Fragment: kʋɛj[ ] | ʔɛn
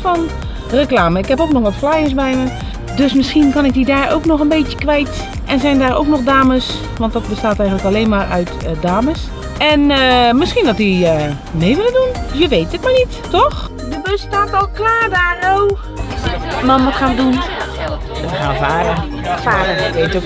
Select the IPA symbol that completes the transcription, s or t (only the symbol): t